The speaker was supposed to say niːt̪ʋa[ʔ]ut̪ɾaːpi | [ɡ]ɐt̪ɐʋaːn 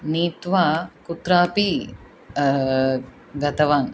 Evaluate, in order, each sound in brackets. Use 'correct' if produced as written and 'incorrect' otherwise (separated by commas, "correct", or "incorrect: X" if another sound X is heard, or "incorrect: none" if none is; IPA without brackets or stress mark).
incorrect: k, correct